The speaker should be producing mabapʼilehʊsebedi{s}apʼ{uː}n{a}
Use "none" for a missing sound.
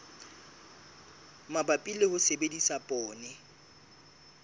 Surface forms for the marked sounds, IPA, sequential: s, ɔː, ɛ

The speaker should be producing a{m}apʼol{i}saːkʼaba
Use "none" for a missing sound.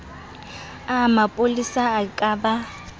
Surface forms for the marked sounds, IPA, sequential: m, i

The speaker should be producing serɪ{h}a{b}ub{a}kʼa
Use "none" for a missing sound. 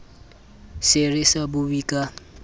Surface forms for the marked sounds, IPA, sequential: s, b, i

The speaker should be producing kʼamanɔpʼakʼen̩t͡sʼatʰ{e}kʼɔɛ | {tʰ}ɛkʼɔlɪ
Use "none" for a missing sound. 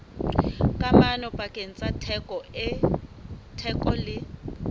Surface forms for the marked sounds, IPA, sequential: ɛ, tʰ

